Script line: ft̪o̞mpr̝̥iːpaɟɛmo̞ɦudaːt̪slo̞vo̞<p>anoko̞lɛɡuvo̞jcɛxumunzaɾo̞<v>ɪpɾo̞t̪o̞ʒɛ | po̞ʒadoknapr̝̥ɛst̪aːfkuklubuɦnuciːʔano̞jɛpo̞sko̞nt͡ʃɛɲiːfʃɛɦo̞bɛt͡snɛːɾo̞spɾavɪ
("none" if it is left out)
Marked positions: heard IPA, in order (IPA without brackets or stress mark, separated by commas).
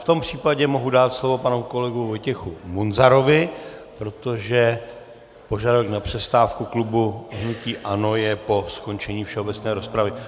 p, v